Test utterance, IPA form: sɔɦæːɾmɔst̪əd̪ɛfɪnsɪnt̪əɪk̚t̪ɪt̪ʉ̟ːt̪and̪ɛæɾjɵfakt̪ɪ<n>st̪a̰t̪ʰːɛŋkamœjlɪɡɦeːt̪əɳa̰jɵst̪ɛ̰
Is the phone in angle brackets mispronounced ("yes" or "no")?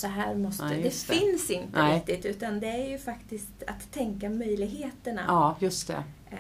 yes